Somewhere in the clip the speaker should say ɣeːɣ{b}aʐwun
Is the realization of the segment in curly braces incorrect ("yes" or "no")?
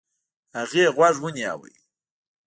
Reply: yes